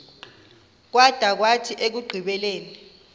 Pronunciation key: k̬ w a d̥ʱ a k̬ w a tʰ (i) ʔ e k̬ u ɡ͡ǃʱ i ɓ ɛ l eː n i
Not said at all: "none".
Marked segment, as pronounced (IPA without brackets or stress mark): i